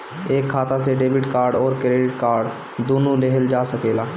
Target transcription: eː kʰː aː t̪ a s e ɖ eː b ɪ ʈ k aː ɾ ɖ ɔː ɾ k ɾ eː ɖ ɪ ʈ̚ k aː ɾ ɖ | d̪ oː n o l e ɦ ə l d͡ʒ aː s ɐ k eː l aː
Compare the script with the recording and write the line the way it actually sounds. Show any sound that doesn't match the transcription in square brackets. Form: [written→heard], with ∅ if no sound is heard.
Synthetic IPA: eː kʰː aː t̪ a s e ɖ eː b ɪ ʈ k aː ɾ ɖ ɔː ɾ k ɾ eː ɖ ɪ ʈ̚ k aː ɾ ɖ | d̪ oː n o l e ɦ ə l d͡ʒ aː s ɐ k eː l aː